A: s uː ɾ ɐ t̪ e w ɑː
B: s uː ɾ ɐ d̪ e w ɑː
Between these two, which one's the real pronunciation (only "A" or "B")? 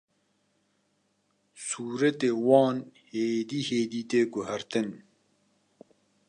A